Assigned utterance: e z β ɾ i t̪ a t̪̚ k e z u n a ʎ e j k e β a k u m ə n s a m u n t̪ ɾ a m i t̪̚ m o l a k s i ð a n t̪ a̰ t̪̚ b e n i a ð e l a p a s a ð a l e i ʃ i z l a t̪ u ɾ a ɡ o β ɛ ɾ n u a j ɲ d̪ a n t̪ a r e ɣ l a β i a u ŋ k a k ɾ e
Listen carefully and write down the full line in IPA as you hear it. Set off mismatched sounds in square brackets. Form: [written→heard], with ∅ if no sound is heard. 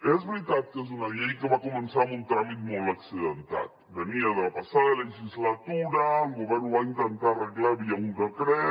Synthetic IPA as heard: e z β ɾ i t̪ a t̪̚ k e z u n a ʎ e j k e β a k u m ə n s a m u n t̪ ɾ a m i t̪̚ m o l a k s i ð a n t̪ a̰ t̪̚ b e n i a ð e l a p a s a ð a l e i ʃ i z l a t̪ u ɾ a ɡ o β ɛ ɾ n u a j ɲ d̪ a n t̪ a r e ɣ l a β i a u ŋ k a k ɾ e